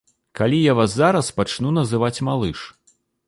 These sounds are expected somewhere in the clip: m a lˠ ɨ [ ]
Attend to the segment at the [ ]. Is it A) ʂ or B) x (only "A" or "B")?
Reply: A